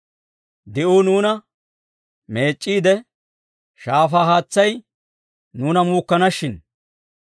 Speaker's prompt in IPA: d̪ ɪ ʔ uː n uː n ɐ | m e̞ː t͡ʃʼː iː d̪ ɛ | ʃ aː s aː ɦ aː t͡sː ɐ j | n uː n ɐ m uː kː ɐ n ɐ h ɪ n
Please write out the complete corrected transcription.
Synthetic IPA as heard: d̪ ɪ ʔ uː n uː n ɐ | m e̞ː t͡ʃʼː iː d̪ ɛ | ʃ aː f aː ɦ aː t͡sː ɐ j | n uː n ɐ m uː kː ɐ n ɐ ʃ ɪ n